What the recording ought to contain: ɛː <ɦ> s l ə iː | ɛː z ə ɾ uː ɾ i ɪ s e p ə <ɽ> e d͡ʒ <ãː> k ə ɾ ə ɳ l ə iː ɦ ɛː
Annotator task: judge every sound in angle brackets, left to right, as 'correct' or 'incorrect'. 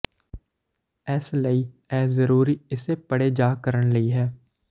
incorrect: none, correct, incorrect: aː

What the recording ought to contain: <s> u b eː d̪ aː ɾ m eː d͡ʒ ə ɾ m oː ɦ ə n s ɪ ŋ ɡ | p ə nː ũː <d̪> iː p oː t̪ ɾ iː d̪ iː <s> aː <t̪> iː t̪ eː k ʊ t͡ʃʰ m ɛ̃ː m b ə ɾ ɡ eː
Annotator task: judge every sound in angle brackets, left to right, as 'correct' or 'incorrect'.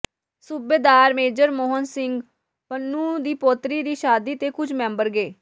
correct, correct, incorrect: ʃ, incorrect: d̪

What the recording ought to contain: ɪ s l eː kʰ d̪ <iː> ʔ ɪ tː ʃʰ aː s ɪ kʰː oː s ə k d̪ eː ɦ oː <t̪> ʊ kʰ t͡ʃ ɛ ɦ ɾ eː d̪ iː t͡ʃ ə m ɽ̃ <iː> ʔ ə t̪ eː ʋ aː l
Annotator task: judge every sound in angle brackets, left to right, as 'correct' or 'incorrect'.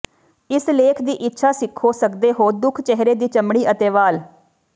correct, incorrect: d̪, correct

